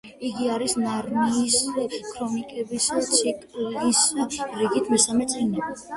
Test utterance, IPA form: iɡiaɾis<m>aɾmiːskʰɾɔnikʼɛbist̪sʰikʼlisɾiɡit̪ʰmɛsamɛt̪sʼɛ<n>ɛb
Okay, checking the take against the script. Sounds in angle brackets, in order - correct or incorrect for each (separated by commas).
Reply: incorrect, correct